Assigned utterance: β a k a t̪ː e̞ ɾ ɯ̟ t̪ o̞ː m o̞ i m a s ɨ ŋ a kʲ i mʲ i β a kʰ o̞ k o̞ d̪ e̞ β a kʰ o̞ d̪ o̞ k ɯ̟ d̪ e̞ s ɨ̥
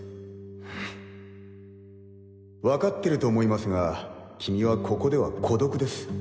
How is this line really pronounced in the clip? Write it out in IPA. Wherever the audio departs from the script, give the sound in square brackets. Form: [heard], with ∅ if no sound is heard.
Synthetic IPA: β a k a t̪ː e̞ ɾ ɯ̟ t̪ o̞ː m o̞ i m a s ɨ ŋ a kʲ i mʲ i β a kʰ o̞ k o̞ d̪ e̞ β a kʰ o̞ d̪ o̞ k ɯ̟ d̪ e̞ s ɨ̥